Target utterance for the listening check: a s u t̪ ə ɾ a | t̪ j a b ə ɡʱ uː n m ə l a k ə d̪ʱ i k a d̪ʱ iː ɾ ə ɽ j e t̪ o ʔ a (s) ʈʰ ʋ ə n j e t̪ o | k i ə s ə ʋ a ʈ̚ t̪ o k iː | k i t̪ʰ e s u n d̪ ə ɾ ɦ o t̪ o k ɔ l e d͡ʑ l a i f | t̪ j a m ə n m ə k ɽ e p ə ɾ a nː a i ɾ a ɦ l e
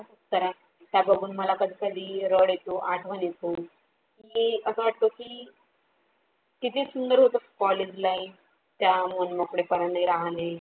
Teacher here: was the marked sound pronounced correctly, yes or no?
no